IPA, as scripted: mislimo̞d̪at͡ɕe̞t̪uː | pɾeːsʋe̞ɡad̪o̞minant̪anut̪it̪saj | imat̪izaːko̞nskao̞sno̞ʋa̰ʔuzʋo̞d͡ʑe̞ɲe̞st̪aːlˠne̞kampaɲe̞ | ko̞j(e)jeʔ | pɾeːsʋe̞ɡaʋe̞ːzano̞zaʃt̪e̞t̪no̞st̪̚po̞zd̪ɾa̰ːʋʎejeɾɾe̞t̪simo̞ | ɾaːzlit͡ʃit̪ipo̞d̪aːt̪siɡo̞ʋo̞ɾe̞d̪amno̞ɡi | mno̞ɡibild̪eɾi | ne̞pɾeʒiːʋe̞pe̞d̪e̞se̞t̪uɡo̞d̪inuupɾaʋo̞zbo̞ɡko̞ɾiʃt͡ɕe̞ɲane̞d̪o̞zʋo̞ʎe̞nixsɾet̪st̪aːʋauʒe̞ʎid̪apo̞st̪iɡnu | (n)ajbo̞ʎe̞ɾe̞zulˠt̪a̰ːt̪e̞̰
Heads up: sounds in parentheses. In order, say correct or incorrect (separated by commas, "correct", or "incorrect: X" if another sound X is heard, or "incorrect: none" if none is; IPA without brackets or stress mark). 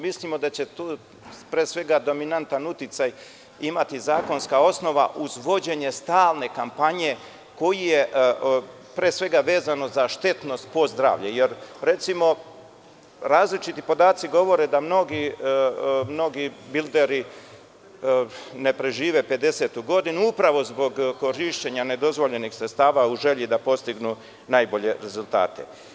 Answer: incorrect: i, correct